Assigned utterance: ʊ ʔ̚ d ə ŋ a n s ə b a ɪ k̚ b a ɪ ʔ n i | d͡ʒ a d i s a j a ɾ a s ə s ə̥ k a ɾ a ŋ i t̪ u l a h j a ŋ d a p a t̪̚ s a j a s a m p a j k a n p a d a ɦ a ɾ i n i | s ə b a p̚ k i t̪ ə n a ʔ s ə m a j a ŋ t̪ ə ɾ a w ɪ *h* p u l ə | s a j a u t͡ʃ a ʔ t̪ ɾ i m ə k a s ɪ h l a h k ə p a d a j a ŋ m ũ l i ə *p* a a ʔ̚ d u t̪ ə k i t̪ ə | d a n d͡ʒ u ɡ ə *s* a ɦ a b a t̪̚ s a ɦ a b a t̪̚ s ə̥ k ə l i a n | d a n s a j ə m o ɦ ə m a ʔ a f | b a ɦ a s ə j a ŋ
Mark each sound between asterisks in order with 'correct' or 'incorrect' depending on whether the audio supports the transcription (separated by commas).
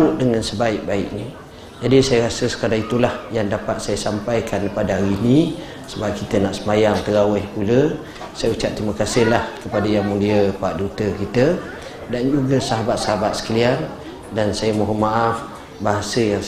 correct, correct, correct